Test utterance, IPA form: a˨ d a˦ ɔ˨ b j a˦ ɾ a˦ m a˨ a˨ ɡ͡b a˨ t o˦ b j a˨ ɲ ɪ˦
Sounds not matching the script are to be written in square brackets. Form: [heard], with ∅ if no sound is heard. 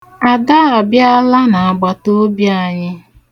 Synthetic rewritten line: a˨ d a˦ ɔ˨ b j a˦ [l] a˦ [n] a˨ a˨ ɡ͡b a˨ t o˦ b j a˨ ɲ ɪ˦